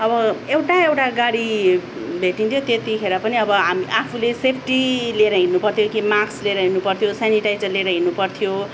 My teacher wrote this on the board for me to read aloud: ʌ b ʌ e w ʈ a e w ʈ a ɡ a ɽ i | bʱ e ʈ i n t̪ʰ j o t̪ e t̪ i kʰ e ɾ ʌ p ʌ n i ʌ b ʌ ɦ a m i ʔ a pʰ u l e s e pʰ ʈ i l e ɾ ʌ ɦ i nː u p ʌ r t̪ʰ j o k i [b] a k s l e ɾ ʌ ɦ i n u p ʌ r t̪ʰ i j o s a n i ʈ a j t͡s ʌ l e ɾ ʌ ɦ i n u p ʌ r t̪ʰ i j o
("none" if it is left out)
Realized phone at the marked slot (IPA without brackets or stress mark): m